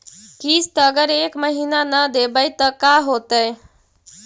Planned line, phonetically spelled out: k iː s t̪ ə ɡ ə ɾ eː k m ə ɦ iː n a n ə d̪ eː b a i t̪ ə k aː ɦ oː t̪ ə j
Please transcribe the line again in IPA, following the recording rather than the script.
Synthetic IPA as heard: k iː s t̪ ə ɡ ə ɾ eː k m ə ɦ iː n a n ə d̪ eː b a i t̪ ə k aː ɦ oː t̪ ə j